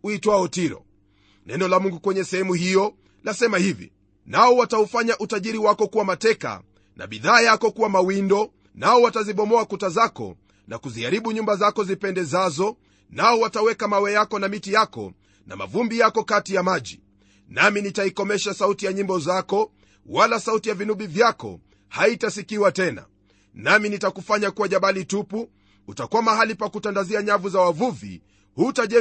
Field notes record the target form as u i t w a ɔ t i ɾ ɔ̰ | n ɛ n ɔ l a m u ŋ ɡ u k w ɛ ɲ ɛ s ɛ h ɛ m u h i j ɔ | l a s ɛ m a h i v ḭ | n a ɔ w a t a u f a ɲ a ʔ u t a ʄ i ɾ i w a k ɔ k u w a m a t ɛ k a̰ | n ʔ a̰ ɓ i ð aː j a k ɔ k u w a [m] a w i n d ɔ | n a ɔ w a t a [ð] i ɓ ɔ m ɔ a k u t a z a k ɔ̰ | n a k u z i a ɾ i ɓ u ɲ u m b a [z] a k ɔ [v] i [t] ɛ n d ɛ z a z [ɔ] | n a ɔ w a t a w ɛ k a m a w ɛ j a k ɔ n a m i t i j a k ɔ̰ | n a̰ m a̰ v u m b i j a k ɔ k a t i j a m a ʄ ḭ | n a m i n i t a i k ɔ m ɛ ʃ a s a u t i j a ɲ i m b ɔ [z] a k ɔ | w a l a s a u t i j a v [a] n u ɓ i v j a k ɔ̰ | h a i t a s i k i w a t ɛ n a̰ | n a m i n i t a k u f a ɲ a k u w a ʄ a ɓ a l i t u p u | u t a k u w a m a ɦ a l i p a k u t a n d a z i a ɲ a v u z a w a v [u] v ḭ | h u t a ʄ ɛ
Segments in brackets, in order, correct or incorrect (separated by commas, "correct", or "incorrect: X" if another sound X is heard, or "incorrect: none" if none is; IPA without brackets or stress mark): correct, incorrect: z, correct, incorrect: z, incorrect: p, correct, correct, incorrect: i, correct